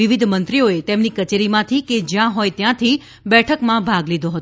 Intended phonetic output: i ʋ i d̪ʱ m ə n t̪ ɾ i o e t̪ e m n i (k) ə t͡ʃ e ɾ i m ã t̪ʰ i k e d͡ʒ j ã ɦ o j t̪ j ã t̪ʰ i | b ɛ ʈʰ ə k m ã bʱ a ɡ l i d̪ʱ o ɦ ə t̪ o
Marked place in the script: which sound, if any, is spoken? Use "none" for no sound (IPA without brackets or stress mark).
k